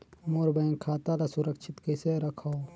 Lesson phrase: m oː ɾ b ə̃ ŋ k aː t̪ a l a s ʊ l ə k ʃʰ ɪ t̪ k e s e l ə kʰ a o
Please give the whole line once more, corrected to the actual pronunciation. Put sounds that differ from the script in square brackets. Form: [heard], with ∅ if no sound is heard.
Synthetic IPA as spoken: m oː ɾ b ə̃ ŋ [kʰ] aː t̪ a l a s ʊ [ɾ] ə k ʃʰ ɪ t̪ k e s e [ɾ] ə kʰ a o